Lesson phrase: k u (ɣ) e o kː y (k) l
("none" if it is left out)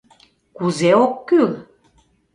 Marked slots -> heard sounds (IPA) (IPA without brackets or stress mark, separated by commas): z, none